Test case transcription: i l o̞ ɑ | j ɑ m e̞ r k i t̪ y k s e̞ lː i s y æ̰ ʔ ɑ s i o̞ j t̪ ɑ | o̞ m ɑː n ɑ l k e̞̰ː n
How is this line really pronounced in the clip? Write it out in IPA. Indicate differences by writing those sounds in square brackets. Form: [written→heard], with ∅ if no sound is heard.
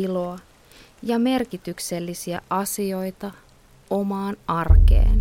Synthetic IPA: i l o̞ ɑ | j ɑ m e̞ r k i t̪ y k s e̞ lː i s [y→i] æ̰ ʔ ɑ s i o̞ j t̪ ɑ | o̞ m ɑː n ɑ [l→r] k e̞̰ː n